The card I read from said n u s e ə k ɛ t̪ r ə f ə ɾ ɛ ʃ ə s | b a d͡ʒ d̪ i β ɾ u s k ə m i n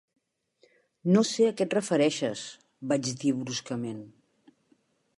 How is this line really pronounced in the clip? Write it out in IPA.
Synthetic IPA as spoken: n o s e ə k ɛ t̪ r ə f ə ɾ ɛ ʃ ə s | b a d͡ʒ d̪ i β ɾ u s k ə m e n

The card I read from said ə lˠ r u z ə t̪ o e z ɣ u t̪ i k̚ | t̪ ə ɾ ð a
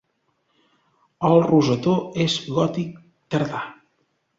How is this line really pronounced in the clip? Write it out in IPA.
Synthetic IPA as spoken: ə lˠ r u z ə t̪ o e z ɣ ɔ t̪ i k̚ | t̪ ə ɾ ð a

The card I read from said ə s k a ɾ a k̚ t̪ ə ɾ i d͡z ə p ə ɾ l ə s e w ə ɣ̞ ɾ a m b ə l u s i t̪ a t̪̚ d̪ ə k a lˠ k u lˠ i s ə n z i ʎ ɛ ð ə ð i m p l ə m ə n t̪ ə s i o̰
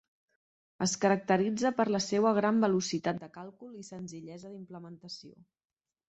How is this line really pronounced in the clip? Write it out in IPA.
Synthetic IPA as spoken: ə s k ə ɾ ə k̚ t̪ ə ɾ i d͡z ə p ə ɾ l ə s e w ə ɣ̞ ɾ a m b ə l u s i t̪ a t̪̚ d̪ ə k a lˠ k u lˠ i s ə n z i ʎ ɛ z ə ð i m p l ə m ə n t̪ ə s i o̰

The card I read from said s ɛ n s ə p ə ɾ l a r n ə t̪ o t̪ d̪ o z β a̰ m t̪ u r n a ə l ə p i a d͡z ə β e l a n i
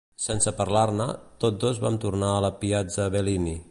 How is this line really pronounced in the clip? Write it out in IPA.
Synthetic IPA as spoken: s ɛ n s ə p ə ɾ l a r n ə t̪ o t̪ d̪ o z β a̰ m t̪ u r n a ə l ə p i a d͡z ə β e l i n i

